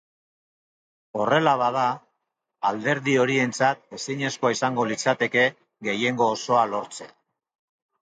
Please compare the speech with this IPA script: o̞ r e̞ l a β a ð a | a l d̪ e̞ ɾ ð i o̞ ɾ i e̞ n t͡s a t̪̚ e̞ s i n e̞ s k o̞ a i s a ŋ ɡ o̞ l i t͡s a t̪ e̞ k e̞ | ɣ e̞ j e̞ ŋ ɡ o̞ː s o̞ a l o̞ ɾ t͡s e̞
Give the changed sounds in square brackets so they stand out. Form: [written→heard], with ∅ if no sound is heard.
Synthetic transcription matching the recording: o̞ r e̞ l a β a ð a | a l d̪ e̞ ɾ ð i o̞ ɾ i e̞ n t͡s a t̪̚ e̞ s i [n→ɲ] e̞ s k o̞ a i s a ŋ ɡ o̞ l i t͡s a t̪ e̞ k e̞ | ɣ e̞ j e̞ ŋ ɡ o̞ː s o̞ a l o̞ ɾ t͡s e̞